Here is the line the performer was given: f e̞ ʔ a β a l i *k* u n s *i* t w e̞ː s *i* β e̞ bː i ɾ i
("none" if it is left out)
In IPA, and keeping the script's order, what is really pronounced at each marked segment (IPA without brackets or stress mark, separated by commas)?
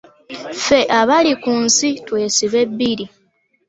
k, i, i